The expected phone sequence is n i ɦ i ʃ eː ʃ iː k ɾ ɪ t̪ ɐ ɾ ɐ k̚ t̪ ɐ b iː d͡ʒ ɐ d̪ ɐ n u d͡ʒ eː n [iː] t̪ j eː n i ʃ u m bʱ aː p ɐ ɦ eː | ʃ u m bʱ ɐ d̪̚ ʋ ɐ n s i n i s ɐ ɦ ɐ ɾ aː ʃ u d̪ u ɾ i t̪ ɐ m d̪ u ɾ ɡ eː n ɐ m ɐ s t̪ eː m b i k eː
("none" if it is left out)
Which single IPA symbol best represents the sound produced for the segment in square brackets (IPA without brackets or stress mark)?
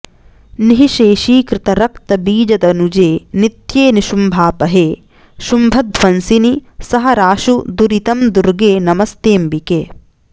i